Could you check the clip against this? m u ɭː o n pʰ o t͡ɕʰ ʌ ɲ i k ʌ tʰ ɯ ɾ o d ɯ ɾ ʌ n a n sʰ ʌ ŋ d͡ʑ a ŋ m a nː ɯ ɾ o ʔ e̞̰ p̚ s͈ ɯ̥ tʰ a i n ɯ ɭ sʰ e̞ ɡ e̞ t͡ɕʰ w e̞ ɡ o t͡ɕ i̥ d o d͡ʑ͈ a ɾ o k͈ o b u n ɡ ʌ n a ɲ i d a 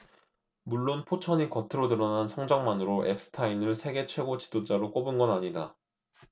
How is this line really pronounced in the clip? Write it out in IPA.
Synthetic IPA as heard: m u ɭː o n pʰ o t͡ɕʰ ʌ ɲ i k ʌ tʰ ɯ ɾ o d ɯ ɾ ʌ n a n sʰ ʌ ŋ d͡ʑ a ŋ m a n ɯ ɾ o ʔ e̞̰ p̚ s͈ ɯ̥ tʰ a i n ɯ ɭ sʰ e̞ ɡ e̞ t͡ɕʰ w e̞ ɡ o t͡ɕ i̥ d o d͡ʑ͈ a ɾ o k͈ o b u n ɡ ʌ n a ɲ i d a

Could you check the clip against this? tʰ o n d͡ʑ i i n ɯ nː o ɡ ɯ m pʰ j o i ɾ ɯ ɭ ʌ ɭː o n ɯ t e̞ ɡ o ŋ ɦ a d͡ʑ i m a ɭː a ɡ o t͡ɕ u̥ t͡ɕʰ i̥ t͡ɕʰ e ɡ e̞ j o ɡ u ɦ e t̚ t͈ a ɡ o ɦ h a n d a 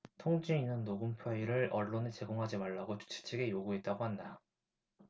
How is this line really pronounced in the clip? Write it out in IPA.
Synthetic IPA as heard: tʰ o ŋ d͡ʑ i i n ɯ nː o ɡ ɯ m pʰ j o i ɾ ɯ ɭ ʌ ɭː o n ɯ t͡ɕ e̞ ɡ o ŋ ɦ a d͡ʑ i m a ɭː a ɡ o t͡ɕ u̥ t͡ɕʰ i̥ t͡ɕʰ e ɡ e̞ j o ɡ u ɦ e t̚ t͈ a ɡ o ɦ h a n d a

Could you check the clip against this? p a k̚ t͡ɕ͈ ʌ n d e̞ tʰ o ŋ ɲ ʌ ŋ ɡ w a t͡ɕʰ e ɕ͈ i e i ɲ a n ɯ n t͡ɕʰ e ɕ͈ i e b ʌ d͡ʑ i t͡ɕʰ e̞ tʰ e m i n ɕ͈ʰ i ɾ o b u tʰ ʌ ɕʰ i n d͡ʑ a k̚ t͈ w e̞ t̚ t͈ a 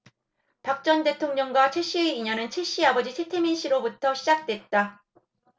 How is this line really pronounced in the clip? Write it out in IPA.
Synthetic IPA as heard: p a k̚ t͡ɕ͈ ʌ n d e̞ tʰ o ŋ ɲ ʌ ŋ ɡ w a t͡ɕʰ e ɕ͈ i e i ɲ ʌ n ɯ n t͡ɕʰ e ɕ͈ i a b ʌ d͡ʑ i t͡ɕʰ e̞ tʰ e m i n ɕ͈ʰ i ɾ o b u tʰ ʌ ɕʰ i d͡ʑ a k̚ t͈ w e̞ t̚ t͈ a

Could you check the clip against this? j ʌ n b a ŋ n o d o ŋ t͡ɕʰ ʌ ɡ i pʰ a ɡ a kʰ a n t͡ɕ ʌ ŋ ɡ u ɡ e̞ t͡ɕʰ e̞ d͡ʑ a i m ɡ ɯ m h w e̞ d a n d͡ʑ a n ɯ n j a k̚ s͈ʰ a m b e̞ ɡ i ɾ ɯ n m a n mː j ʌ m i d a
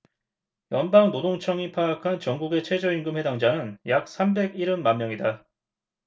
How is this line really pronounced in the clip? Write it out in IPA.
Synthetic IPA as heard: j ʌ n b a ŋ n o d o ŋ t͡ɕʰ ʌ ŋ i pʰ a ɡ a kʰ a n t͡ɕ ʌ ŋ ɡ u ɡ e̞ t͡ɕʰ e̞ d͡ʑ ʌ i n ɡ ɯ m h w e̞ d a ŋ d͡ʑ a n ɯ n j a k̚ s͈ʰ a m b e̞ ɡ i ɾ ɯ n m a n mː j ʌ ŋ i d a

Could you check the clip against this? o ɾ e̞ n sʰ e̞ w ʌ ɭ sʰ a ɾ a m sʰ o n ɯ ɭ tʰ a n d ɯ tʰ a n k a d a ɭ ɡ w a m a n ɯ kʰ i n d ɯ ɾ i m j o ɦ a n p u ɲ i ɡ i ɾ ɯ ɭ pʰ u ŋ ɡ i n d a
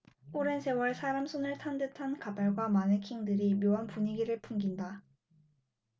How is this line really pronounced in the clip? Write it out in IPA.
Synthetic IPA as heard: o ɾ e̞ n sʰ e̞ w ʌ ɭ sʰ a ɾ a m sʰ o n ɯ ɭ tʰ a n d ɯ tʰ a n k a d a ɭ ɡ w a m a n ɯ kʰ i ŋ d ɯ ɾ i m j o ɦ a n p u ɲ i ɡ i ɾ ɯ ɭ pʰ u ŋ ɡ i n d a

